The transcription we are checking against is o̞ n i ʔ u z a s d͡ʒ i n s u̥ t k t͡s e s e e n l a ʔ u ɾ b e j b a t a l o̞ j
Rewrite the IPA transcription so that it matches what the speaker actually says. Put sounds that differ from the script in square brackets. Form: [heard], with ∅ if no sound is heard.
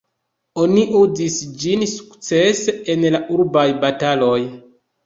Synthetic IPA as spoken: o̞ n i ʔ u z [i] s d͡ʒ i n s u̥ [∅] k t͡s e s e e n l a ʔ u ɾ b [a] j b a t a l o̞ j